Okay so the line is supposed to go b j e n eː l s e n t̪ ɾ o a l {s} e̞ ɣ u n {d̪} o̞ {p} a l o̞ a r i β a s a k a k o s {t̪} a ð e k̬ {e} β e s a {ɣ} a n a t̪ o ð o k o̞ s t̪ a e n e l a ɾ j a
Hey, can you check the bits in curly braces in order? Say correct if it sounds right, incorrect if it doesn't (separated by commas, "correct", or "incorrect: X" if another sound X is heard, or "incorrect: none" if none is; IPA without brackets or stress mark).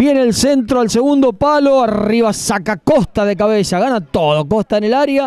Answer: correct, correct, correct, correct, incorrect: a, correct